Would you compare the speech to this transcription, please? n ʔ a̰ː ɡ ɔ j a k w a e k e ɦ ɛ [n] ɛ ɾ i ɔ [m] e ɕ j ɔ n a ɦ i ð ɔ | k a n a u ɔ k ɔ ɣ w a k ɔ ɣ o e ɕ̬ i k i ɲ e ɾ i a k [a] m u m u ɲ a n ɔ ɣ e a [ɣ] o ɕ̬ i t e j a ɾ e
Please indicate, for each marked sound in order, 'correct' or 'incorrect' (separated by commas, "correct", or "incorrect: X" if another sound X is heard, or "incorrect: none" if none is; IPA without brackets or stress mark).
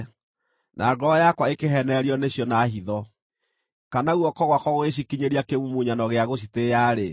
correct, incorrect: n, incorrect: e, correct